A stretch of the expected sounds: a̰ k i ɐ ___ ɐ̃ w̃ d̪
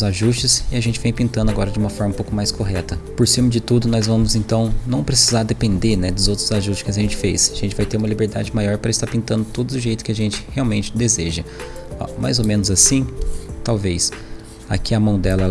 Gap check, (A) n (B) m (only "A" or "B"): B